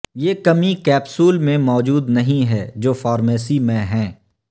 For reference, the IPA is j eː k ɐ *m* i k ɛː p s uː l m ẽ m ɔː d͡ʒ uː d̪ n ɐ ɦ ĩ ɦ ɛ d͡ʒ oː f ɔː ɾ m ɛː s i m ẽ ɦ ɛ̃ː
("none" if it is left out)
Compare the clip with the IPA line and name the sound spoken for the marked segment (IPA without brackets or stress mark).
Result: m